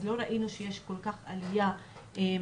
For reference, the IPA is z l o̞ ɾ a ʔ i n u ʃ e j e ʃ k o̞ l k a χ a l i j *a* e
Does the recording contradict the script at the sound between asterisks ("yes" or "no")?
no